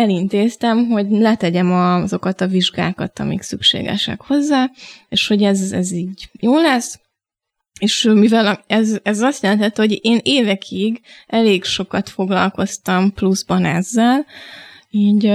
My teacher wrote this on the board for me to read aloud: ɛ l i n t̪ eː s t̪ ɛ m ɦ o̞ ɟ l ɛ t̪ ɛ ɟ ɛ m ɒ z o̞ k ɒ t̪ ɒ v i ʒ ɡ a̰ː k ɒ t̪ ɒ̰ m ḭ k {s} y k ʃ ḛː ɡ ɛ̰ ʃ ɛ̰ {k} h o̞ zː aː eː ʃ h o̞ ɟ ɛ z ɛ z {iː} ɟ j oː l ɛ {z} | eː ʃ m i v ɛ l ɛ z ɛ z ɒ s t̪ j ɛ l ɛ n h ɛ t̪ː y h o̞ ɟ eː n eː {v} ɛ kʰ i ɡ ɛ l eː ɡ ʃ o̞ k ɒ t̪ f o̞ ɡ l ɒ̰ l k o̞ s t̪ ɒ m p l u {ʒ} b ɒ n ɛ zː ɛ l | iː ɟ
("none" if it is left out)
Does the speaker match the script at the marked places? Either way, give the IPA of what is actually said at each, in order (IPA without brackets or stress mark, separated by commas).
s, k, iː, s, v, z